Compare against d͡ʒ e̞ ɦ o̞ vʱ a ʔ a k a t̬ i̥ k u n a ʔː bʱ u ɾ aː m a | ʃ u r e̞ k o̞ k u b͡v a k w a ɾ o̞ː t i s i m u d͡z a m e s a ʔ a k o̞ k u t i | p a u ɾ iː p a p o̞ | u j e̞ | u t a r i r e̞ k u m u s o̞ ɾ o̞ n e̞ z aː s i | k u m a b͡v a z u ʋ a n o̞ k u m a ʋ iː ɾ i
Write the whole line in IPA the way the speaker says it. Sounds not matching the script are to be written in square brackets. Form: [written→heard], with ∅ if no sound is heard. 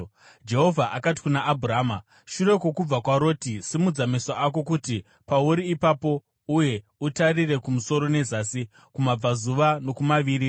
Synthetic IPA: d͡ʒ e̞ ɦ o̞ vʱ a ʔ a k a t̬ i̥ k u n a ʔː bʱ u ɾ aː m a | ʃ u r e̞ k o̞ k u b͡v a k w a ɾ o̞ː t i s i m u d͡z a m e s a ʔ a k o̞ k u t i | p a u ɾ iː p a p o̞ | u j e̞ | u t a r i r e̞ k u m u s o̞ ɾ o̞ n e̞ z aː s i | k u m a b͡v a z u ʋ a n o̞ k u m a ʋ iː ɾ i